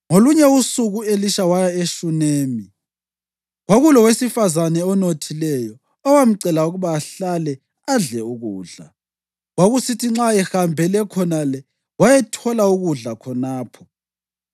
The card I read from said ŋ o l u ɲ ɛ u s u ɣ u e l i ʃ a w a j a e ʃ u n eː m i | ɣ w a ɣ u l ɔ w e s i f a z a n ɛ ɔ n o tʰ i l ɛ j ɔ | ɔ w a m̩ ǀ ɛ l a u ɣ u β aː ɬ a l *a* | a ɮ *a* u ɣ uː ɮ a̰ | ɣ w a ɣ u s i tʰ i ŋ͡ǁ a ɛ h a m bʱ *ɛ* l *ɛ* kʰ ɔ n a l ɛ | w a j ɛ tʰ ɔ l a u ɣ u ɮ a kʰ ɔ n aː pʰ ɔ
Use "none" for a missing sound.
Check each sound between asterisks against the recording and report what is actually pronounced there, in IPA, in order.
ɛ, ɛ, ɛ, ɛ

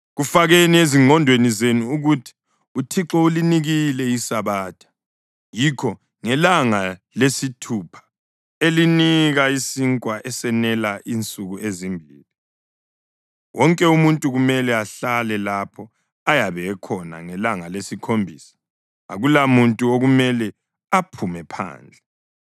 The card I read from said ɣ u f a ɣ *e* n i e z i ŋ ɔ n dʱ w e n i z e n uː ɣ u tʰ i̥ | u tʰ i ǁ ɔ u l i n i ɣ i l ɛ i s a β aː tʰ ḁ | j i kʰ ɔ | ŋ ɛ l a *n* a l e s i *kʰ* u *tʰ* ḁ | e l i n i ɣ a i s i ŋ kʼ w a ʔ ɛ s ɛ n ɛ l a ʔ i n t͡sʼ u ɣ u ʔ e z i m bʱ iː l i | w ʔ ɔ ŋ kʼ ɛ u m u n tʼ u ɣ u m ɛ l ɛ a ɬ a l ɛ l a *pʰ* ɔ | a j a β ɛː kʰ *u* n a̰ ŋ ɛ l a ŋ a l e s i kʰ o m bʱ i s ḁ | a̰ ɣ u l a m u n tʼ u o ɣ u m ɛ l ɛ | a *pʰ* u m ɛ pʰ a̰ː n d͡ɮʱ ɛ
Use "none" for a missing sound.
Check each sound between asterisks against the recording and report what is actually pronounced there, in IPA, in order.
e, ŋ, tʰ, pʰ, pʰ, ɔ, pʰ

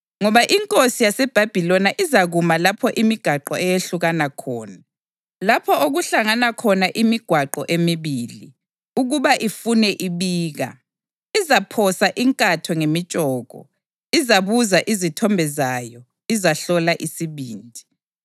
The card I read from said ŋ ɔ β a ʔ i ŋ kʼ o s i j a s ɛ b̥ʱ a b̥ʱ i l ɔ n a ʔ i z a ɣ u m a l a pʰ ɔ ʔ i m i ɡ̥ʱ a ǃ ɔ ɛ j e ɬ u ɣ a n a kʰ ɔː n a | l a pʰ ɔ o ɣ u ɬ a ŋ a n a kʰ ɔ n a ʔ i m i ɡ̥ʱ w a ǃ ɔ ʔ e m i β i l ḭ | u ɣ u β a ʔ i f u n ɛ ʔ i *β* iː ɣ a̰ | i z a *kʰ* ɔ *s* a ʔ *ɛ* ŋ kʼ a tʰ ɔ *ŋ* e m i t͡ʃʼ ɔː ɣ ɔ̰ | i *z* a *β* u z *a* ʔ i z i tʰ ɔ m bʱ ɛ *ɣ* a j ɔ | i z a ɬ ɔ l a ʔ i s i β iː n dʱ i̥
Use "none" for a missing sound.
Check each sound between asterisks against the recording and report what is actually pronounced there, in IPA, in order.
β, pʰ, s, i, ŋ, z, β, a, z

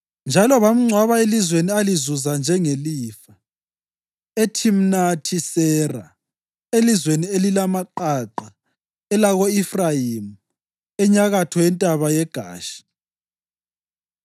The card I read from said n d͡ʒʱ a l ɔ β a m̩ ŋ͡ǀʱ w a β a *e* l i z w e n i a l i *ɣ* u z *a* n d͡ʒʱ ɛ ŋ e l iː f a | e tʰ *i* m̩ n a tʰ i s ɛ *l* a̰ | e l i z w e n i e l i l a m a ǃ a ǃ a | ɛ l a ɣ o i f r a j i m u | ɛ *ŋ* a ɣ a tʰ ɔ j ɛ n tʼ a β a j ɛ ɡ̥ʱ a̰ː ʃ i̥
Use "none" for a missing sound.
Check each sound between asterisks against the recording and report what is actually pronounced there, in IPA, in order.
e, z, a, i, r, ɲ

